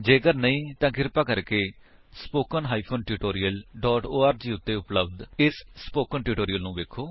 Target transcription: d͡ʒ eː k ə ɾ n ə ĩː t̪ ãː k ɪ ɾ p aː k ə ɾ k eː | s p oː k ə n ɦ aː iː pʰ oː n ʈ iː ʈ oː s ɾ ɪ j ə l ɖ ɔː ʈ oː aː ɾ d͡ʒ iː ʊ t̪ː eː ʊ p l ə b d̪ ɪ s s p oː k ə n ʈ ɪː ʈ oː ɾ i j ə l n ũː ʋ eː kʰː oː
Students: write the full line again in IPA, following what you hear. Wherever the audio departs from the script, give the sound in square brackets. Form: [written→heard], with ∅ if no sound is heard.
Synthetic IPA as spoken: d͡ʒ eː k ə ɾ n ə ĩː t̪ ãː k ɪ ɾ p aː k ə ɾ k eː | s p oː k ə n ɦ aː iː pʰ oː n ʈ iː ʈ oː [s→∅] ɾ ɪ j ə l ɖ ɔː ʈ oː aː ɾ d͡ʒ iː ʊ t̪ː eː ʊ p l ə b d̪ ɪ s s p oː k ə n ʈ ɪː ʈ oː ɾ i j ə l n ũː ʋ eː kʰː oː